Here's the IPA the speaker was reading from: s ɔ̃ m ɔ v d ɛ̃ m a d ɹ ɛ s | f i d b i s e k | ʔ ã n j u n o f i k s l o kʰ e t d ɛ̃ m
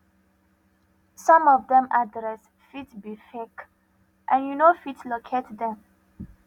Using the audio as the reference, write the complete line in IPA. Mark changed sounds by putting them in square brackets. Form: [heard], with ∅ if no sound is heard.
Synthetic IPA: s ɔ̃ m ɔ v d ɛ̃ m a d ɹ ɛ s | f i [t] b i [f] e k | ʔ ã n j u n o f i [t] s l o kʰ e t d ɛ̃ m